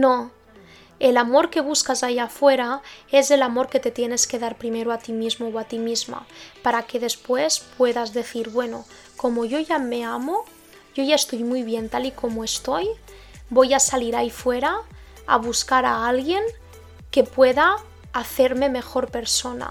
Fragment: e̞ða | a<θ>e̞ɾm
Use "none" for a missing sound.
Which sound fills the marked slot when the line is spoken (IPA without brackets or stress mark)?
θ